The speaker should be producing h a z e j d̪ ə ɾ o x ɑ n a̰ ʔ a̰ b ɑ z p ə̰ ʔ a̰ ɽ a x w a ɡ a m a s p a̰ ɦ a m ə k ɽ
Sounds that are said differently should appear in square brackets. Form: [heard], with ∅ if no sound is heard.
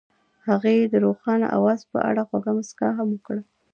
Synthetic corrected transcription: h a [ɣ] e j d̪ ə ɾ o x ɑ n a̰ ʔ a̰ [w] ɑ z p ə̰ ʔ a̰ ɽ a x w a ɡ a m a s [k] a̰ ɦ a m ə k ɽ